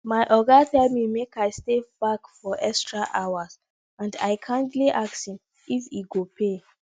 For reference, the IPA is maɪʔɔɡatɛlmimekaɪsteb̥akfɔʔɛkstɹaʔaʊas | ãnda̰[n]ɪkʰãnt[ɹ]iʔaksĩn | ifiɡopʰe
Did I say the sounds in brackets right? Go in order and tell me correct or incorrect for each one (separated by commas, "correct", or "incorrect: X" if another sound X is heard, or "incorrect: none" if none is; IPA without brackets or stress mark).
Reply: incorrect: none, incorrect: l